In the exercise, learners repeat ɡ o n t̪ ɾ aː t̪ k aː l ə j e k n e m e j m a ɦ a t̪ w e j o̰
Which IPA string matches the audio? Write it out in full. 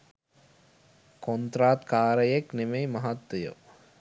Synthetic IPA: k o n t̪ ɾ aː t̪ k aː ɾ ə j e k n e m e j m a ɦ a t̪ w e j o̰